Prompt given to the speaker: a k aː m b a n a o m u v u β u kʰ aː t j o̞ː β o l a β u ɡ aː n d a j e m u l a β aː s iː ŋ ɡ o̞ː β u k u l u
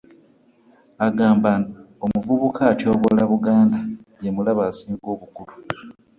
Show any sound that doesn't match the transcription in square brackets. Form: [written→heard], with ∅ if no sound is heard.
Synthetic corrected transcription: a [k→ɡ] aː m b a n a o m u v u β u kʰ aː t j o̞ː β o l a β u ɡ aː n d a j e m u l a β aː s iː ŋ ɡ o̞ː β u k u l u